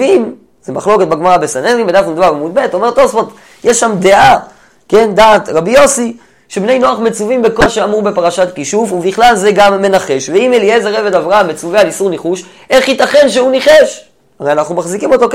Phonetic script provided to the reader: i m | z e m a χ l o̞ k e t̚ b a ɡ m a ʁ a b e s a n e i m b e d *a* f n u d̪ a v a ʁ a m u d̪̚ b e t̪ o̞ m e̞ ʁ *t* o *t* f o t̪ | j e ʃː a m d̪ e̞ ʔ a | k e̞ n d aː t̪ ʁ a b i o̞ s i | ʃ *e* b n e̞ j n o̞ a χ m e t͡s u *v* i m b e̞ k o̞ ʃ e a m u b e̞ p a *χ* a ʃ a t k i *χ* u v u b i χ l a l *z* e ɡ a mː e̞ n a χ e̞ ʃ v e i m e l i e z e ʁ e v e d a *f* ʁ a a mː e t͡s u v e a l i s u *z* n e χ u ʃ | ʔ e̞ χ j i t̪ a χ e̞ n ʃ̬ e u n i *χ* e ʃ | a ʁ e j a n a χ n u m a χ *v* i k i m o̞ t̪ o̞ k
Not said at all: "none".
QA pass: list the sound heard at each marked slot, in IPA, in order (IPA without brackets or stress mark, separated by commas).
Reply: a, t, s, e, v, ʁ, ʃ, z, v, ʁ, χ, z